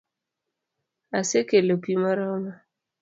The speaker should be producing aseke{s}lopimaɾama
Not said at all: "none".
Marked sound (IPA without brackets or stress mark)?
none